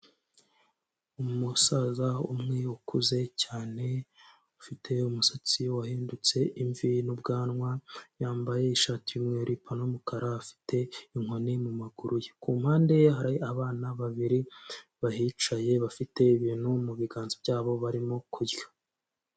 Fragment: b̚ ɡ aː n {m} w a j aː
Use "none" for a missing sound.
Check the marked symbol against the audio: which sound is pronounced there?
ŋ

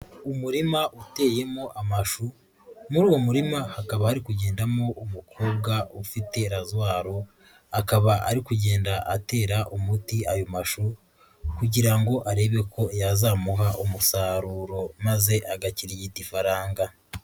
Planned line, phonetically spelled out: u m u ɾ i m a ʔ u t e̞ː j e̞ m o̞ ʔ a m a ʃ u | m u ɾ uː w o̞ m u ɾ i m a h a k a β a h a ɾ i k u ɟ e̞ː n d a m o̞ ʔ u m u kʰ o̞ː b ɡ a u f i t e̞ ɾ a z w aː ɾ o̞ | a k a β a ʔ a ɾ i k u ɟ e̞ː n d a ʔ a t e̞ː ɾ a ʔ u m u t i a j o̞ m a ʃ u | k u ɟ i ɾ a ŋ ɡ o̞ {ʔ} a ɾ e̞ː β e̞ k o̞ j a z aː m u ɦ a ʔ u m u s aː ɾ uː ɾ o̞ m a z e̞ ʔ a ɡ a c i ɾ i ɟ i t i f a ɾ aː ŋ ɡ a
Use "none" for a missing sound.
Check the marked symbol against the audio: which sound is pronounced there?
ʔ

